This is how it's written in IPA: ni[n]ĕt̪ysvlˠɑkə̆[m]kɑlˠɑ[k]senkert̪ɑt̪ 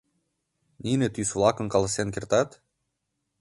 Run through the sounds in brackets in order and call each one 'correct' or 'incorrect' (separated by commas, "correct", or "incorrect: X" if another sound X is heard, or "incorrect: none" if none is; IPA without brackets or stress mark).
correct, incorrect: n, incorrect: none